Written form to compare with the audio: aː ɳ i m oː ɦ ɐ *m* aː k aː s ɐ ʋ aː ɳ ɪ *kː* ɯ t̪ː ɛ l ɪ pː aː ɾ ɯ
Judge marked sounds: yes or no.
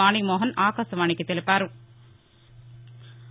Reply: no, yes

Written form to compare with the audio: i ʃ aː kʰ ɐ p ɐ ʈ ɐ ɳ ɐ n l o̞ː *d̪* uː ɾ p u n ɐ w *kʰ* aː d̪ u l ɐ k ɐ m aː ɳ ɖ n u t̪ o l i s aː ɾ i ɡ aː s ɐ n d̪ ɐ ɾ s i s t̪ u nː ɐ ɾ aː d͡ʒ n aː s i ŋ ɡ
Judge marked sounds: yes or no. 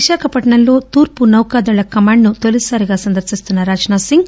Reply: no, no

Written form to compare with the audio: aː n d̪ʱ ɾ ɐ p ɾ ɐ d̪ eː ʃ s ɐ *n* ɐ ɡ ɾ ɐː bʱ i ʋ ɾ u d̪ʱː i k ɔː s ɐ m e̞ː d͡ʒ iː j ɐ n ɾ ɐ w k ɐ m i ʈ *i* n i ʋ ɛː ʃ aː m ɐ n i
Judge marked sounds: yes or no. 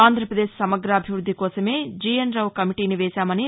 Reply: no, no

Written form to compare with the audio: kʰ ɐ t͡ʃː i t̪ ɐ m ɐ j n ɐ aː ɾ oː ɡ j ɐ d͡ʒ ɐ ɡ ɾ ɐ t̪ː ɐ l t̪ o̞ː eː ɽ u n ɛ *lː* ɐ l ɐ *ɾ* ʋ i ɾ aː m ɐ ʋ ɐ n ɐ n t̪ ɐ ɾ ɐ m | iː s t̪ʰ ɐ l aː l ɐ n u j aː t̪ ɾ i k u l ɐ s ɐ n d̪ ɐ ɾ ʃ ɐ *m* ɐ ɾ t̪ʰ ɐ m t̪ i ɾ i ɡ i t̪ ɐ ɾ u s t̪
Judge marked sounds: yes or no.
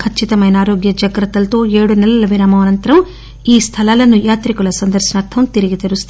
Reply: no, no, no

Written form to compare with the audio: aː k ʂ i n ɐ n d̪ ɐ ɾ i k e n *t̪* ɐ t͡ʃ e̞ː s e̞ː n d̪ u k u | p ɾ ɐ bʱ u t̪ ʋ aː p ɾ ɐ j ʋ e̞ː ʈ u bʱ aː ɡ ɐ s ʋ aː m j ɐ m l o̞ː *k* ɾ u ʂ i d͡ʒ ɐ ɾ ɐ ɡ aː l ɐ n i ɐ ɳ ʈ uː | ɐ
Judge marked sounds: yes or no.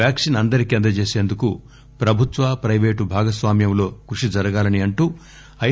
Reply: no, yes

